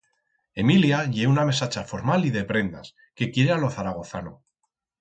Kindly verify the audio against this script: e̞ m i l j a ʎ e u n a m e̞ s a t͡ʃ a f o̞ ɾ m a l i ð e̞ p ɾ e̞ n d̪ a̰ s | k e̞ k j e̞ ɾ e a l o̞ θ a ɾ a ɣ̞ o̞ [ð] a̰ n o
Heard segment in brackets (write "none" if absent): θ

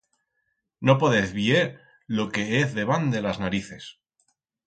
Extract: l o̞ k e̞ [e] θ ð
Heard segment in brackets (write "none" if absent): e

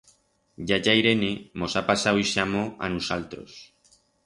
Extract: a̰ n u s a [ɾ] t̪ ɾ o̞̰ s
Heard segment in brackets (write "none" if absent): l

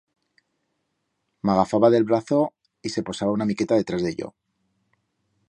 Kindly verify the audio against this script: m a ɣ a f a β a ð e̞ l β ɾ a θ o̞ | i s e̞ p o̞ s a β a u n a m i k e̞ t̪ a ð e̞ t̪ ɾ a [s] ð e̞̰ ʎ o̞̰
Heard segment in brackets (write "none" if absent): z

